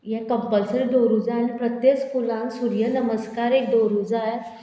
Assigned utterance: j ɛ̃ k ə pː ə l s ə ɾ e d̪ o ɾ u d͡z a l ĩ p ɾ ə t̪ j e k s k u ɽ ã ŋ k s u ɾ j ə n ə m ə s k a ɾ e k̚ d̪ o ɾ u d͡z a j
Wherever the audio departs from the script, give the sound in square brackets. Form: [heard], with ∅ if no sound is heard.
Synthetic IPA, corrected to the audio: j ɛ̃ k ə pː ə l s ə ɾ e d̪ o ɾ u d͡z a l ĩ p ɾ ə t̪ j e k s k u [l] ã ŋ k s u ɾ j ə n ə m ə s k a ɾ e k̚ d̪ o ɾ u d͡z a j